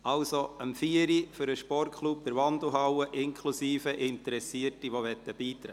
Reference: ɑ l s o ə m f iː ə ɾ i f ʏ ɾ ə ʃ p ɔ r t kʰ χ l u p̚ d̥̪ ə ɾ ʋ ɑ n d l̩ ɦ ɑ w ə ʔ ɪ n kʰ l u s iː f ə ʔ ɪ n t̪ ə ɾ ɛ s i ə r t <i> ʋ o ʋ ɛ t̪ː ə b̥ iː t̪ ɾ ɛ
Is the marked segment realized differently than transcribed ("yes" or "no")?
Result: no